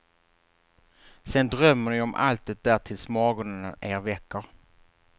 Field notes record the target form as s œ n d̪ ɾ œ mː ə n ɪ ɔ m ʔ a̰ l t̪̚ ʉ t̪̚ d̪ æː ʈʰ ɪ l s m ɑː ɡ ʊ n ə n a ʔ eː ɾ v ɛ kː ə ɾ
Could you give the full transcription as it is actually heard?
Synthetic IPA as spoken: s ɛ n d̪ ɾ œ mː ə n ɪ ɔ m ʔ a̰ l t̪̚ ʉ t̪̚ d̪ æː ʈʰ ɪ l s m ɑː ɡ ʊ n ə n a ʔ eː ɾ v ɛ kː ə ɾ

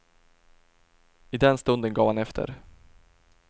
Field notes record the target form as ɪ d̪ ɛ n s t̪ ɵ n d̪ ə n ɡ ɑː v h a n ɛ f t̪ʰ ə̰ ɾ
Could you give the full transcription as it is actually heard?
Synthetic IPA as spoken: ɪ d̪ ɛ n s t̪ ɵ n d̪ ə n ɡ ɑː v h a n ɛ f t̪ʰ ə̰ ɾ

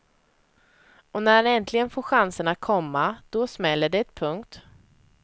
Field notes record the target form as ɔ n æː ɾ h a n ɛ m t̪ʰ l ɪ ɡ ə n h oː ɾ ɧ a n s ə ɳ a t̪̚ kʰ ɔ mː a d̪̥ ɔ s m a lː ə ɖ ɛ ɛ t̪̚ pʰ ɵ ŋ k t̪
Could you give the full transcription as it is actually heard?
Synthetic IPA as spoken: ɔ n æ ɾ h a n ɛ n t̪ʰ l ɪ ɡ ə n f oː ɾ ɧ a n s ə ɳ a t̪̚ kʰ ɔ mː a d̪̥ ɔ s m ɛ lː ə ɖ ɛ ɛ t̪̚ pʰ ɵ ŋ k t̪

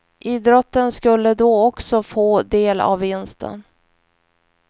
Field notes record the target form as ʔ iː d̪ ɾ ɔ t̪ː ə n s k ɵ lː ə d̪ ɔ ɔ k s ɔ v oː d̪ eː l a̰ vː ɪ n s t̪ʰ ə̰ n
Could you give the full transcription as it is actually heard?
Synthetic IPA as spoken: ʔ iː d̪ ɾ ɔ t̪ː ə n s k ɵ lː ə d̪ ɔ ɔ k s ɔ f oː d̪ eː l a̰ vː ɪ n s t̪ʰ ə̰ n

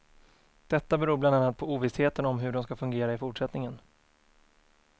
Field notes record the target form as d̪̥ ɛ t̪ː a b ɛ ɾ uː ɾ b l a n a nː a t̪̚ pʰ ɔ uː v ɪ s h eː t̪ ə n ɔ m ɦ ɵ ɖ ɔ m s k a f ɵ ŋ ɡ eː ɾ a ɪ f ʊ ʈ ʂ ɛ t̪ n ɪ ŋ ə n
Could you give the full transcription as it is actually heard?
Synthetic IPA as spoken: d̪̥ ɛ t̪ː a b ɛ ɾ uː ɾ b l a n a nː a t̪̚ pʰ ɔ uː v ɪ s h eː t̪ ə n ɔ m ɦ ɵ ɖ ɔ m s k a f ɵ ŋ ɡ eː ɾ a ɪ f ʊ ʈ ʂ ɛ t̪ n ɪ ŋ ə n

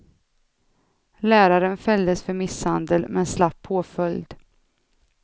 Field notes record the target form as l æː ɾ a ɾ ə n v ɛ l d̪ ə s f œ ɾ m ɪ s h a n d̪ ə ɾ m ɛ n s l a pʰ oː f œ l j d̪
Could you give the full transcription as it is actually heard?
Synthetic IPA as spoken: l æː ɾ a ɾ ə n f ɛ l d̪ ə s f œ ɾ m ɪ s h a n d̪ ə l m ɛ n s l a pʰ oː f œ l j d̪

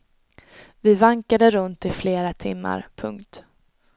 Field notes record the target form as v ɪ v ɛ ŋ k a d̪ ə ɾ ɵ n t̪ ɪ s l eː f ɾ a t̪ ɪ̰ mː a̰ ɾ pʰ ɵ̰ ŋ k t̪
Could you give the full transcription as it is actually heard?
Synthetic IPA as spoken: v ɪ v a ŋ k a d̪ ə ɾ ɵ n t̪ ɪ f l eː ɾ a t̪ʰ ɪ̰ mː a̰ ɾ pʰ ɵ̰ ŋ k t̪

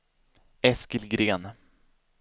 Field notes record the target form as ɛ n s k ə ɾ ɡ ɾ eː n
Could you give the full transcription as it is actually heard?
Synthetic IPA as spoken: ɛ s k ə l ɡ ɾ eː n

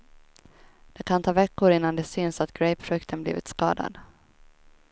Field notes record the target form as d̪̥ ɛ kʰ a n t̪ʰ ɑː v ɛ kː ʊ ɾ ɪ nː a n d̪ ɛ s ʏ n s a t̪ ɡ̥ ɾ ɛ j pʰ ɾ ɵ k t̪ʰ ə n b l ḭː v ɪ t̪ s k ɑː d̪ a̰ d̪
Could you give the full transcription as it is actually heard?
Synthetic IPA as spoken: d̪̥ ɛ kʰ a n t̪ʰ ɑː v ɛ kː ʊ ɾ ɪ nː a n d̪ ɛ s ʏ n s a t̪ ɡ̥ ɾ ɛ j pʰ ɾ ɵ k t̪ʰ ə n b l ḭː v ɪ t̪ s k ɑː d̪ a̰ d̪

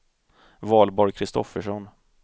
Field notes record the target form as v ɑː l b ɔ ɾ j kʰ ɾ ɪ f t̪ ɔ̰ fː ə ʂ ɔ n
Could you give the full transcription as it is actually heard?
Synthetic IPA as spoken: v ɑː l b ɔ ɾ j kʰ ɾ ɪ s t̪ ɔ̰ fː ə ʂ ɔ n

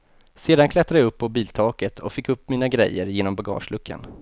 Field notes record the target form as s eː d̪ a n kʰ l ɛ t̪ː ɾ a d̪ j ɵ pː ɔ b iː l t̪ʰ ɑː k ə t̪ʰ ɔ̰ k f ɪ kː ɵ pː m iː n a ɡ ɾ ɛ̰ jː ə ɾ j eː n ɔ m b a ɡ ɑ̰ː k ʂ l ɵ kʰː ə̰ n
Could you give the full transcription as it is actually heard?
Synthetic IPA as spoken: s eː d̪ a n kʰ l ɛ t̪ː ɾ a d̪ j ɵ pː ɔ b iː l t̪ʰ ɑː k ə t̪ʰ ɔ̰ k f ɪ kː ɵ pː m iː n a ɡ ɾ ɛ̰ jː ə ɾ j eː n ɔ m b a ɡ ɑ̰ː ʂ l ɵ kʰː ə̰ n

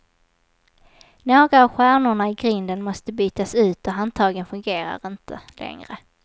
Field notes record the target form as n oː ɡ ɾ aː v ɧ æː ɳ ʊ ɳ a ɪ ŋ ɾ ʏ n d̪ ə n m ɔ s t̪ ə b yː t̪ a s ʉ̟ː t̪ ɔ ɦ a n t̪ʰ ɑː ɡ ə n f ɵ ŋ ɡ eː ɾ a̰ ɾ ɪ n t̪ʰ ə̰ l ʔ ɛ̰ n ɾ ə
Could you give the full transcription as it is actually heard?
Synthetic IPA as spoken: n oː ɡ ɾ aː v ɧ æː ɳ ʊ ɳ a ɪ ɡ ɾ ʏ n d̪ ə n m ɔ s t̪ ə b yː t̪ a s ʉ̟ː t̪ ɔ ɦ a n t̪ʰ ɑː ɡ ə n f ɵ ŋ ɡ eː ɾ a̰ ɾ ɪ n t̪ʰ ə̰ l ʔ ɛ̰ ŋ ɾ ə

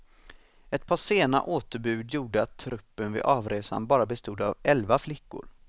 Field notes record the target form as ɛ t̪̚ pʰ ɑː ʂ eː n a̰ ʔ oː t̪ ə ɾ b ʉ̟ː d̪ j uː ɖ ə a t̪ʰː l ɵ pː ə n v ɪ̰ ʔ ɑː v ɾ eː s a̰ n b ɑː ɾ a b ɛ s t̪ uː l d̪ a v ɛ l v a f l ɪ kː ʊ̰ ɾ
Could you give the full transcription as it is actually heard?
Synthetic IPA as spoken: ɛ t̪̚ pʰ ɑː ʂ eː n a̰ ʔ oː t̪ ə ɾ b ʉ̟ː d̪ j uː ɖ ə a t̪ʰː ɾ ɵ pː ə n v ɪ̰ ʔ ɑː v ɾ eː s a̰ n b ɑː ɾ a b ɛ s t̪ uː d̪ a v ɛ l v a f l ɪ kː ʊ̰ ɾ

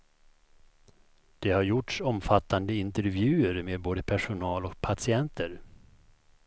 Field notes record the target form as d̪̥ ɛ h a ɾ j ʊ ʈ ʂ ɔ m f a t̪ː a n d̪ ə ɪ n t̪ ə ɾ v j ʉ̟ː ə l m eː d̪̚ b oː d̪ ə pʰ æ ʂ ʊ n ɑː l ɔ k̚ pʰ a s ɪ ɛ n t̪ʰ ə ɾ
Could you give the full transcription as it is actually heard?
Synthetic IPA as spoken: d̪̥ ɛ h a ɾ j ʊ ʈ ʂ ɔ m f a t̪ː a n d̪ ə ɪ n t̪ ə ɾ v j ʉ̟ː ə ɾ m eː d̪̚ b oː d̪ ə pʰ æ ʂ ʊ n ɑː l ɔ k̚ pʰ a s ɪ ɛ n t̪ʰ ə ɾ

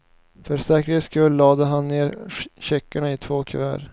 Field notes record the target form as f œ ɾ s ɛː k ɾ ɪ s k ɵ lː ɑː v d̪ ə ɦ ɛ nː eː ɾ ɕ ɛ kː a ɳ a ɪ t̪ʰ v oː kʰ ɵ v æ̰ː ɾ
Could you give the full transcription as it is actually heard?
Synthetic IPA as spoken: f œ ɾ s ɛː k ɾ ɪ s k ɵ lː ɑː d̪ ə ɦ a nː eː ɾ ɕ ɛ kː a ɳ a ɪ t̪ʰ v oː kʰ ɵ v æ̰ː ɾ

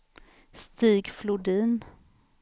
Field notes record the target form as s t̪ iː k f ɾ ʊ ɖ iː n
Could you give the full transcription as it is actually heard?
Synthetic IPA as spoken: s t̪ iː ɡ f l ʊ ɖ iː n

